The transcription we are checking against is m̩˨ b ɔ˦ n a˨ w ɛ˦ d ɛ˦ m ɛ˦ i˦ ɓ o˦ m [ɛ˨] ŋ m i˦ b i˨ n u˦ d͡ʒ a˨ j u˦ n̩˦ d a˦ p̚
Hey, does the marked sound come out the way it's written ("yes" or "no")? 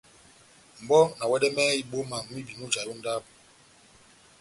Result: no